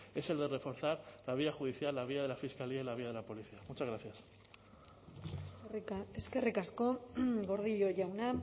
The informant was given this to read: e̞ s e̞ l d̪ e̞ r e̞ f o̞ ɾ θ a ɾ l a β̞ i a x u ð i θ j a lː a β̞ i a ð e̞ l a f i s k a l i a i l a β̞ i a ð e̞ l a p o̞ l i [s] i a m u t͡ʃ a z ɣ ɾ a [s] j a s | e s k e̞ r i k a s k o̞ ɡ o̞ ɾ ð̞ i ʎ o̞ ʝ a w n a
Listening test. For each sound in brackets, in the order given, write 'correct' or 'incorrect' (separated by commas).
incorrect, incorrect